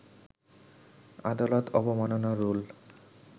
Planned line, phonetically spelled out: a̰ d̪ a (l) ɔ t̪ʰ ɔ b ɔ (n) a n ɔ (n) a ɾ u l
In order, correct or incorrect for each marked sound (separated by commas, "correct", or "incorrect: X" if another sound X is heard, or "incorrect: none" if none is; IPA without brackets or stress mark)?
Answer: correct, incorrect: m, correct